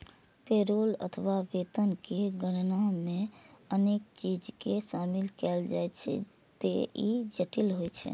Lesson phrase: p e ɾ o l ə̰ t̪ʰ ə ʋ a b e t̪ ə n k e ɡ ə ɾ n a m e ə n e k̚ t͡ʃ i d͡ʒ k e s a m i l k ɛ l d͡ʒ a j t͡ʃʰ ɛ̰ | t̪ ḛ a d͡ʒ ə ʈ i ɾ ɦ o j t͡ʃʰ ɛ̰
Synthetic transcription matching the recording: p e ɾ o l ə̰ t̪ʰ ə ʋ a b e t̪ ə n k e ɡ ə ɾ n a m e ə n e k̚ t͡ʃ i d͡ʒ k e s a m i l k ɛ l d͡ʒ a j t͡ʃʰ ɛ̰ | t̪ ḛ i d͡ʒ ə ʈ i l ɦ o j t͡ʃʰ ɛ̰